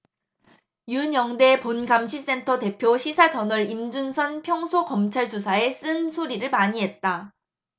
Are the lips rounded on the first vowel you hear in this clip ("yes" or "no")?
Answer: yes